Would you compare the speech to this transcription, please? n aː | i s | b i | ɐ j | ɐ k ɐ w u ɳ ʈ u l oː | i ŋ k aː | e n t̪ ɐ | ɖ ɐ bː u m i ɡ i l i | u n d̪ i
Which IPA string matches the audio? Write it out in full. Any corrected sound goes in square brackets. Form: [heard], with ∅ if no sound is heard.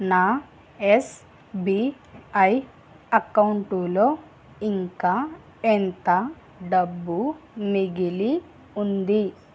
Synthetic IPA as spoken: n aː | [e] s | b i | ɐ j | ɐ k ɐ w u ɳ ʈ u l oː | i ŋ k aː | e n t̪ ɐ | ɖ ɐ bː u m i ɡ i l i | u n d̪ i